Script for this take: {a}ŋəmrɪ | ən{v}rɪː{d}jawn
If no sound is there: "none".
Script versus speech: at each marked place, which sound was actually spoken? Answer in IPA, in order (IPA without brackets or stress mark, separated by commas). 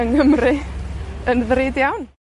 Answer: ə, ð, d